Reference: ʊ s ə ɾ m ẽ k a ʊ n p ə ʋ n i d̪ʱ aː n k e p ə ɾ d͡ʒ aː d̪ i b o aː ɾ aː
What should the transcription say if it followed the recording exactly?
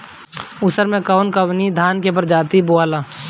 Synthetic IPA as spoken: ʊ s ə ɾ m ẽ k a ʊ n k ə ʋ n i d̪ʱ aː n k e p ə ɾ d͡ʒ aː t̪ i b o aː l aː